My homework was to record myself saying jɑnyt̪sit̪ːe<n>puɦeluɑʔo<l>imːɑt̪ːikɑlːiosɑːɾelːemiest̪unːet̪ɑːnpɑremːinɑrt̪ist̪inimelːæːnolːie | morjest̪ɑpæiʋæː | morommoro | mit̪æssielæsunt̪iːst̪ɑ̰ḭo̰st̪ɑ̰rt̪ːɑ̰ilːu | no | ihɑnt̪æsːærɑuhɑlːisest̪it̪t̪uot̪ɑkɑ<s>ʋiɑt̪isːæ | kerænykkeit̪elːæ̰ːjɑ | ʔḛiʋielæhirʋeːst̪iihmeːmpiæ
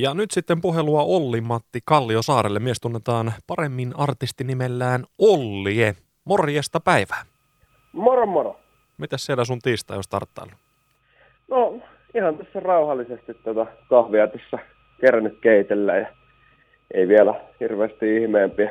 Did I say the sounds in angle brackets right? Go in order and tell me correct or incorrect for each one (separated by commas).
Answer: incorrect, incorrect, incorrect